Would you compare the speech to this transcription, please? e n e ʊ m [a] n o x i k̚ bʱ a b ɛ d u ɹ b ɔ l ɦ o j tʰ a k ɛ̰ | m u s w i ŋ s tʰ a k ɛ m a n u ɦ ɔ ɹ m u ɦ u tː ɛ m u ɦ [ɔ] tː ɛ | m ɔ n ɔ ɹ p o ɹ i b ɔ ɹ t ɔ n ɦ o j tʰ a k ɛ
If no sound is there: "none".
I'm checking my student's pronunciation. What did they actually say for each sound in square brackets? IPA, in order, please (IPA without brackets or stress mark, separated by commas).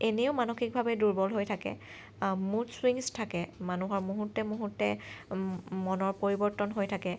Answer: a, u